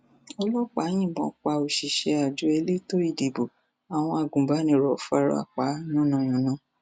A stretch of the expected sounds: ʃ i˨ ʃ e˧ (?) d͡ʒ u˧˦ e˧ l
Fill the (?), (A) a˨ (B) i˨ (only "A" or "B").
A